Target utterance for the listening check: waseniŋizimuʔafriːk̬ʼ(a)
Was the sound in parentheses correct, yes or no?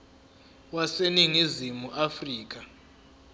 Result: yes